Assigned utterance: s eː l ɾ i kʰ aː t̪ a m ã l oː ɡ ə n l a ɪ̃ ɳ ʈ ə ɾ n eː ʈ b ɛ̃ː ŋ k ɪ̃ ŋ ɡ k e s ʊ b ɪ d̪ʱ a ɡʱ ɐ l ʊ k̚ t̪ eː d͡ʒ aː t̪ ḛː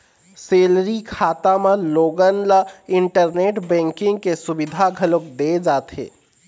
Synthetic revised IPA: s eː l ɾ i kʰ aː t̪ a m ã l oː ɡ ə n l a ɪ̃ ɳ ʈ ə ɾ n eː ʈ b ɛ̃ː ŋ k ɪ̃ ŋ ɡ k e s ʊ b ɪ d̪ʱ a ɡʱ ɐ l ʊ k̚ d̪ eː d͡ʒ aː t̪ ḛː